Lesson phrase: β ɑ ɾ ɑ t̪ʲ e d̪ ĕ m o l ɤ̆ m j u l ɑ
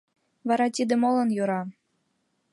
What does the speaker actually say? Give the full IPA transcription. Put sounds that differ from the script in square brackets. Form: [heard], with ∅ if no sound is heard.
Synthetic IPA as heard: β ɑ ɾ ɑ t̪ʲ [i] d̪ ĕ m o l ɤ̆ [n] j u [ɾ] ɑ

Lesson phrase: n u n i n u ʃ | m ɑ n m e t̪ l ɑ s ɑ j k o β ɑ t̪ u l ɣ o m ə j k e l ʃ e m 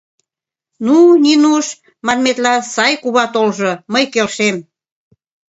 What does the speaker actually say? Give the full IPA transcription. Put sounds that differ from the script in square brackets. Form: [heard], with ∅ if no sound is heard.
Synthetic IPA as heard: n u n i n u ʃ | m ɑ n m e t̪ l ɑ s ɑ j k [u] β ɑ t̪ [o] l [ʒ] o m ə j k e l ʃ e m

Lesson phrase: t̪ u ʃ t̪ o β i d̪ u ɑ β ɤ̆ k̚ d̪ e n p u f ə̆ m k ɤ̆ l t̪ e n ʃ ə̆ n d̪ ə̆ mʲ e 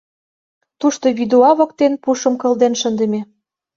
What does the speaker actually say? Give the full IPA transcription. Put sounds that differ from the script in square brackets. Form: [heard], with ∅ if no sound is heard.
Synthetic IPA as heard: t̪ u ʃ t̪ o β i d̪ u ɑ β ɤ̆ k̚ [t̪] e n p u [ʃ] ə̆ m k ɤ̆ l [d̪] e n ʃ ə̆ n d̪ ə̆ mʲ e

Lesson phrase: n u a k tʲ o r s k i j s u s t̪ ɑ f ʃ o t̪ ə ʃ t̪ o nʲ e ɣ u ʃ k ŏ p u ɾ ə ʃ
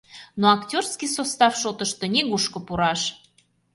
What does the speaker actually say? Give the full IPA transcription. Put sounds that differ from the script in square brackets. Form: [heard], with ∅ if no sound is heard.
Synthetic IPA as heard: n [o] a k tʲ o r s k i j s [o] s t̪ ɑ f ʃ o t̪ ə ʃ t̪ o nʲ e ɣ u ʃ k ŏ p u ɾ [ɑ] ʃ

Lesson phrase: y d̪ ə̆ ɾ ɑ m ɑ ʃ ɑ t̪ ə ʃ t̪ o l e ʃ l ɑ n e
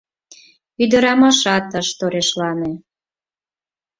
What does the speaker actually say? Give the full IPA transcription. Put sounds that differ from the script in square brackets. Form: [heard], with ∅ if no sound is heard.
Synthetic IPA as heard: y d̪ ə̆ ɾ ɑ m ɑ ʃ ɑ t̪ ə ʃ t̪ o [ɾ] e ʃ l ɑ n e

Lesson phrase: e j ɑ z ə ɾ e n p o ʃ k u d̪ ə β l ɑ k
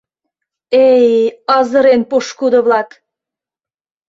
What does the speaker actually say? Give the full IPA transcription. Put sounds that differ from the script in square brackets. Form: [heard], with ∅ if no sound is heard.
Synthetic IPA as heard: e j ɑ z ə ɾ e n p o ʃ k u d̪ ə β l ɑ k

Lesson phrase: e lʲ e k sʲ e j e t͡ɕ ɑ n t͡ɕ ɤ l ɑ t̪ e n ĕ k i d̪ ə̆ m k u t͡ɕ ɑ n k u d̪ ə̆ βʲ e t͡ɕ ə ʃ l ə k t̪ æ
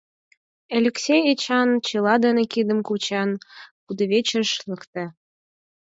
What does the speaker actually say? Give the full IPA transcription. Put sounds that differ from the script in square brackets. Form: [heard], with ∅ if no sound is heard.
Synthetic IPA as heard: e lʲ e k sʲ e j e t͡ɕ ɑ n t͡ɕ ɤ l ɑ [d̪] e n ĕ k i d̪ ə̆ m k u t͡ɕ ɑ n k u d̪ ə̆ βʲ e t͡ɕ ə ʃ l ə k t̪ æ

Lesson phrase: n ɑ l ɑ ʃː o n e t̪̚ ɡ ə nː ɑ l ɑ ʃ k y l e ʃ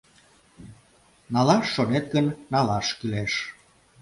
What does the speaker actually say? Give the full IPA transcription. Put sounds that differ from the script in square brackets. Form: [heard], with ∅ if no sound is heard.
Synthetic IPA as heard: n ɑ l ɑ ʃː o n e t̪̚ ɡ ə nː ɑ l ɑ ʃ k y l e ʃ

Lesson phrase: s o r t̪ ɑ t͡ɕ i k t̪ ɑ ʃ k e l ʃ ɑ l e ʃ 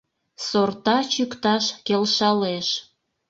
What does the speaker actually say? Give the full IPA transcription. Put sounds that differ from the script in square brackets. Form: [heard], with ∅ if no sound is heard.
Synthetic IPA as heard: s o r t̪ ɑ t͡ɕ [y] k t̪ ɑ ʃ k e l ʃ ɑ l e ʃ

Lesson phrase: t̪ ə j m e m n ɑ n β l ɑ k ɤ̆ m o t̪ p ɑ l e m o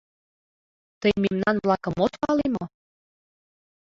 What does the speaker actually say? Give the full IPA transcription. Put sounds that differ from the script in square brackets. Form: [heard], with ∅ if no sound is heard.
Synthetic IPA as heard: t̪ ə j m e m n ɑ n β l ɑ k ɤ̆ m o t̪ p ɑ l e m o

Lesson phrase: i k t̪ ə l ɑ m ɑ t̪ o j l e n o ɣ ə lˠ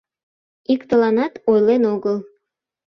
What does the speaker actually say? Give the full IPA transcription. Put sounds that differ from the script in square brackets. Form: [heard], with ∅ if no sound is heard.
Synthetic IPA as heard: i k t̪ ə l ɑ [n] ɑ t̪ o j l e n o ɣ ə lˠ

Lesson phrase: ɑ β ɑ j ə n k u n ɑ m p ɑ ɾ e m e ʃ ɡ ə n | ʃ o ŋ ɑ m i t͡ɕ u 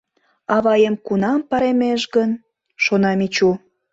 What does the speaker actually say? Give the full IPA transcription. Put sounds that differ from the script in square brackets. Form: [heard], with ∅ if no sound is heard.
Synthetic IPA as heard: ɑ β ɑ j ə [m] k u n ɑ m p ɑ ɾ e m e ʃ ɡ ə n | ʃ o [n] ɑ m i t͡ɕ u

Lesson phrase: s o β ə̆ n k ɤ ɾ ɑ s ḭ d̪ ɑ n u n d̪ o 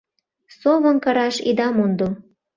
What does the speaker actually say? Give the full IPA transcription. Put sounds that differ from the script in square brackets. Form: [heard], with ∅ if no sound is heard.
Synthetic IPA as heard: s o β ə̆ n k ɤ ɾ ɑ [ʃ] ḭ d̪ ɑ [m] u n d̪ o

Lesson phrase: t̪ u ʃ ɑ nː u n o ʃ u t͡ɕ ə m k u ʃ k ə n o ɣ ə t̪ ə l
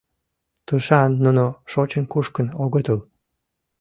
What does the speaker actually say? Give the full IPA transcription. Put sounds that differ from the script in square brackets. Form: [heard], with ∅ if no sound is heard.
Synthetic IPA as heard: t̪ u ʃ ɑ nː u n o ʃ [o] t͡ɕ ə [n] k u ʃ k ə n o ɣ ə t̪ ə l

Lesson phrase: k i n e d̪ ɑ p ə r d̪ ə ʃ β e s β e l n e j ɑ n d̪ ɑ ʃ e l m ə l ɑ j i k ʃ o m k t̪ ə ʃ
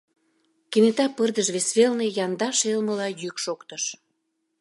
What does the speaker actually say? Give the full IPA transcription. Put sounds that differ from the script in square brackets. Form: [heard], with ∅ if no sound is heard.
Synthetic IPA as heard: k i n e [t̪] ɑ p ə r d̪ ə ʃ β e s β e l n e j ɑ n d̪ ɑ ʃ e l m ə l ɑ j [y] k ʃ o [∅] k t̪ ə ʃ

